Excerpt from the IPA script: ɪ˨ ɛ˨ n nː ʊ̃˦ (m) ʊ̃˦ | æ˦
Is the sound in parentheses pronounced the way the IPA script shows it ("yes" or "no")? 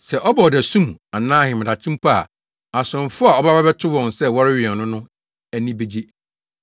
no